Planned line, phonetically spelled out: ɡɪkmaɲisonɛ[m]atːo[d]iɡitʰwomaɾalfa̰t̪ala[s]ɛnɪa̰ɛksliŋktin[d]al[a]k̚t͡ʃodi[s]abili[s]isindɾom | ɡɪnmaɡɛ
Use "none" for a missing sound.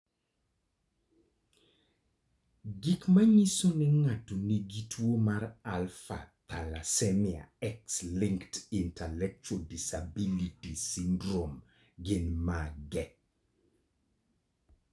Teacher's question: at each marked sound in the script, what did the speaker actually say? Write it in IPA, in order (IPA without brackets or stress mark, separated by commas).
ŋ, n, s, t, ɛ, s, t